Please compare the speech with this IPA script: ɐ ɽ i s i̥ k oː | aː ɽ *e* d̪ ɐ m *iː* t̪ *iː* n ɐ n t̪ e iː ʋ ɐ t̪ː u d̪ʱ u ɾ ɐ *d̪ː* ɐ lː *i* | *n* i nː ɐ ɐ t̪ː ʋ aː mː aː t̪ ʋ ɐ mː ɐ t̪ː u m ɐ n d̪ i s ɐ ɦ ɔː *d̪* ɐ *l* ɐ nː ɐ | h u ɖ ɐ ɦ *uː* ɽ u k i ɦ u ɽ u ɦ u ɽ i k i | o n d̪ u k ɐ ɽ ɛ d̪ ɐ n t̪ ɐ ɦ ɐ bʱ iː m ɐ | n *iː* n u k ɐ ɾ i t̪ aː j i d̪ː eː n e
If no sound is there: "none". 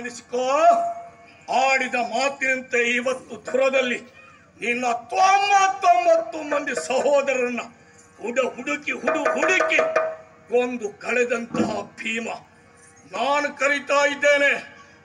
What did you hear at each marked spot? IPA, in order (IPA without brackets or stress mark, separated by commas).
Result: i, aː, i, d̪, i, n, d̪, ɾ, u, aː